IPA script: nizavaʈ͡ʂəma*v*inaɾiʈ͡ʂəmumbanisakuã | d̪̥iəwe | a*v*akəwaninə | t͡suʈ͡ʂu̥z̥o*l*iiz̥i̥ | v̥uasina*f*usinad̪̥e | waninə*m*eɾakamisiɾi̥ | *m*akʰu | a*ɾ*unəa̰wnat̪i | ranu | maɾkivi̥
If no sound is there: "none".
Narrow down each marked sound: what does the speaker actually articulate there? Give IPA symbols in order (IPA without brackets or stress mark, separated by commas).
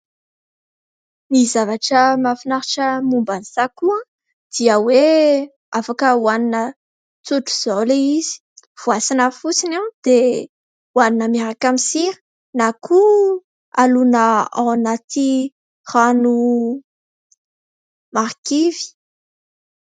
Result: f, f, l, f, m, n, l